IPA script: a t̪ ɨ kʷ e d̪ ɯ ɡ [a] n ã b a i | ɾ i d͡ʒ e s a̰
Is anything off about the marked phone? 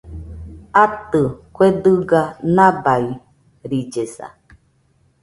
no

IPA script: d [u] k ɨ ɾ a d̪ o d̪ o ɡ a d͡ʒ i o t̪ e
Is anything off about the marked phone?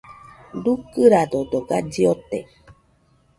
no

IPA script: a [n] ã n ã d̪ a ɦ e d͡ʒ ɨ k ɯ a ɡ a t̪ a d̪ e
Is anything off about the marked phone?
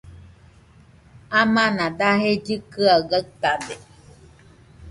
yes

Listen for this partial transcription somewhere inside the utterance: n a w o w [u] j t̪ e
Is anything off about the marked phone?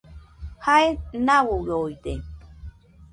yes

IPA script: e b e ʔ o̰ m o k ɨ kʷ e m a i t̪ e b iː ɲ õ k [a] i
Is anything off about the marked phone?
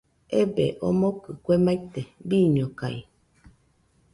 no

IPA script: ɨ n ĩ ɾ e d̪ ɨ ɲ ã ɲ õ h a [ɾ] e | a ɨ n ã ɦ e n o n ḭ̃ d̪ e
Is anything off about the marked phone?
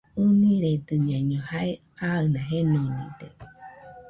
yes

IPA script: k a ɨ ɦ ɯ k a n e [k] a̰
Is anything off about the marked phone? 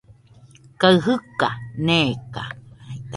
no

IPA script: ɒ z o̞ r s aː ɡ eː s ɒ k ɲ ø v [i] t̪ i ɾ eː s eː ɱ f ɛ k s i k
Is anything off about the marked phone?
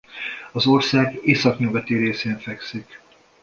yes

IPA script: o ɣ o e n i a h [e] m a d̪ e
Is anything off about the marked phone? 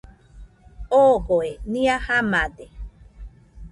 yes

